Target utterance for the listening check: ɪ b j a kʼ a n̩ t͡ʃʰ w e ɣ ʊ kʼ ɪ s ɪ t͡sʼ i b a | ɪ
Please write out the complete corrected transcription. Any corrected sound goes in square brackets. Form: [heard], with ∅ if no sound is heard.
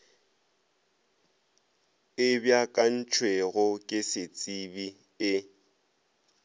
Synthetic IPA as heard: ɪ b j a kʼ a n̩ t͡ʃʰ w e ɣ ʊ kʼ ɪ s ɪ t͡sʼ i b [i] | ɪ